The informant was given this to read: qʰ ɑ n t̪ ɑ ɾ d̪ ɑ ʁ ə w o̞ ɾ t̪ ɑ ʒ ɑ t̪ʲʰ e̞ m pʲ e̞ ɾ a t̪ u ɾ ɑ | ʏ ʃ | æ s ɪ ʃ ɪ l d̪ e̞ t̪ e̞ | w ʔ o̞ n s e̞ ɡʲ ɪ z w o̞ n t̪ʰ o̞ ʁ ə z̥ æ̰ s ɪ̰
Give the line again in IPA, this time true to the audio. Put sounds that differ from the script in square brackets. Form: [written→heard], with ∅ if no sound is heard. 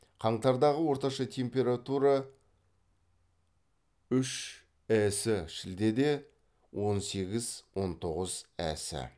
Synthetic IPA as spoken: qʰ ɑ [n→ɴ] t̪ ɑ ɾ d̪ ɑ ʁ ə w o̞ ɾ t̪ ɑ [ʒ→ʃ] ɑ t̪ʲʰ e̞ m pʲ e̞ ɾ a t̪ u ɾ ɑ | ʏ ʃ | æ s ɪ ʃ ɪ l d̪ e̞ [t̪→d̪] e̞ | w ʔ o̞ n s e̞ ɡʲ ɪ z w o̞ n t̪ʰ o̞ ʁ ə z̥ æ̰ s ɪ̰